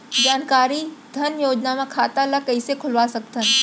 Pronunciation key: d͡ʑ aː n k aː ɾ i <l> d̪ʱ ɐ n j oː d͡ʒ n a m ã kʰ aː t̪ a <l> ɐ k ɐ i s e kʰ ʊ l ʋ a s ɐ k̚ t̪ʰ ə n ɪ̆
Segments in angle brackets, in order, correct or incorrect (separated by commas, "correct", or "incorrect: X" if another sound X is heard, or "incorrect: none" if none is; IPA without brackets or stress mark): incorrect: none, correct